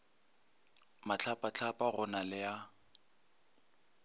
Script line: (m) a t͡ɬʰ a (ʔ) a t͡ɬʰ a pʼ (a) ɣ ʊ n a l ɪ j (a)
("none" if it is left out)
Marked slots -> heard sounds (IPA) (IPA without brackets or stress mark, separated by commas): m, p, a, a